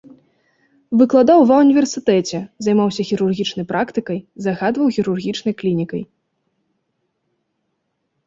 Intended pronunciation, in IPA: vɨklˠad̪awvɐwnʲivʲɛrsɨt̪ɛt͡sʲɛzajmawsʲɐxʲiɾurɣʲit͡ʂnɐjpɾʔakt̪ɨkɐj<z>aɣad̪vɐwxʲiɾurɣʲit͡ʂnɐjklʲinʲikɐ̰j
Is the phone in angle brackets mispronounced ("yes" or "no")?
no